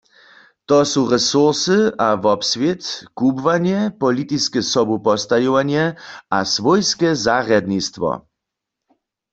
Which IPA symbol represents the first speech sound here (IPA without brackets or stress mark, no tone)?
t̪